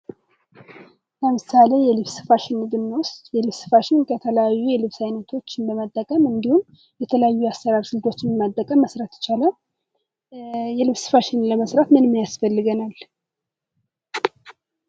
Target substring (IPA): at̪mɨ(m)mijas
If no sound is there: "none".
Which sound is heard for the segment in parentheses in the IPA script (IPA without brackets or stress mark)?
n